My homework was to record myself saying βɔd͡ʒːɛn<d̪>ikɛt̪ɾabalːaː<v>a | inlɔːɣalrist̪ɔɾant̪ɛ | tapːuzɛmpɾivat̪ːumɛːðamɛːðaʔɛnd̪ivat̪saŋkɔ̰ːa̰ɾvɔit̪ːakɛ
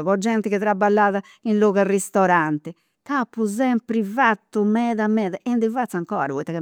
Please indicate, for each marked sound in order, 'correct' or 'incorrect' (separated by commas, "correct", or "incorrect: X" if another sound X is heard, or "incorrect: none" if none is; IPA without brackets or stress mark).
incorrect: t̪, incorrect: ð